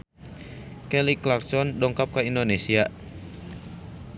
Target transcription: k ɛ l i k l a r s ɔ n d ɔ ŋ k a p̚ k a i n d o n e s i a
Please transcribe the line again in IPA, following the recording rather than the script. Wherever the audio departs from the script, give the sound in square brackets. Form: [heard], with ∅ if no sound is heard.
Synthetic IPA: k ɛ l i k l a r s ɔ n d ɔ ŋ k a p̚ k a i n d o n e s i a